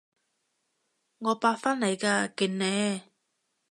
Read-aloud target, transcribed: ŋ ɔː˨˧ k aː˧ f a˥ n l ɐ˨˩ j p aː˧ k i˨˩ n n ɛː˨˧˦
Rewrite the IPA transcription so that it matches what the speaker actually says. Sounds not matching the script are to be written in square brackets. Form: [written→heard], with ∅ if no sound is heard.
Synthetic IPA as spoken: ŋ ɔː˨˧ [k→p] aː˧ f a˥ n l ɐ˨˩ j [p→k] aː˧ k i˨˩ n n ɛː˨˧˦